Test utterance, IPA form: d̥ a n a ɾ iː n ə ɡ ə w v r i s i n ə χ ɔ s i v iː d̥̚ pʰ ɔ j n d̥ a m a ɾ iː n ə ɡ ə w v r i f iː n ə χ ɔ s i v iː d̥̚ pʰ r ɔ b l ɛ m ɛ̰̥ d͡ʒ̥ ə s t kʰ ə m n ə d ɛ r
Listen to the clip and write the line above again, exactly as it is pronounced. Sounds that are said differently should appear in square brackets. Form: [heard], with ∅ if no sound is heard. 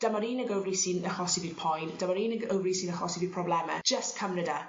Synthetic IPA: d̥ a [m] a ɾ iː n ə ɡ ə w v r i s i n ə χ ɔ s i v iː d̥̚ pʰ ɔ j n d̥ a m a ɾ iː n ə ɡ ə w v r i [s] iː n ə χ ɔ s i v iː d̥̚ pʰ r ɔ b l ɛ m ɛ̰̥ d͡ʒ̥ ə s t kʰ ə m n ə d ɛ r